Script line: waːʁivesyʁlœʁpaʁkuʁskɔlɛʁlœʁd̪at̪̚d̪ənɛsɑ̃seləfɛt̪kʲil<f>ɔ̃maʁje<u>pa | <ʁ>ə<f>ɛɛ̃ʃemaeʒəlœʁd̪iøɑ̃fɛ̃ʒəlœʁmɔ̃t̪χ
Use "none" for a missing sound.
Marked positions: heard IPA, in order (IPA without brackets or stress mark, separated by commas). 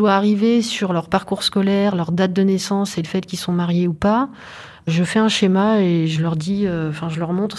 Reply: s, u, ʒ, f